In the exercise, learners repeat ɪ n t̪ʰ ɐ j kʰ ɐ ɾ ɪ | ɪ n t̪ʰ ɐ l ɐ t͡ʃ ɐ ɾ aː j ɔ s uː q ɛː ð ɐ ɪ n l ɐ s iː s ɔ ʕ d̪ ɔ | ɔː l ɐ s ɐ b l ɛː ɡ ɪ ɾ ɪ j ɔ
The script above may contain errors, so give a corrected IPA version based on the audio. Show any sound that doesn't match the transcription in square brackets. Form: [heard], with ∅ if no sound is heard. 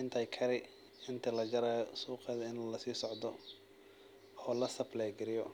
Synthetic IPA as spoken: ɪ n t̪ʰ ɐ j kʰ ɐ ɾ ɪ | ɪ n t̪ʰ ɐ l ɐ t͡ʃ ɐ ɾ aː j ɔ s uː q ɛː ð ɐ ɪ n l ɐ s iː s ɔ ʕ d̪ ɔ | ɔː l ɐ s ɐ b l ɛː ɡ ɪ ɾ ɪ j ɔ